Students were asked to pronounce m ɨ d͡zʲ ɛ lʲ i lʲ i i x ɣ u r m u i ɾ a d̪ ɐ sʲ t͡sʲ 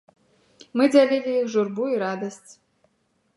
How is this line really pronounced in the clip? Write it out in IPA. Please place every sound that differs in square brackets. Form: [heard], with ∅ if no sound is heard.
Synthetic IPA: m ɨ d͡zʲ [a] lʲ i lʲ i i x [ʐ] u r [b] u i ɾ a d̪ ɐ sʲ t͡sʲ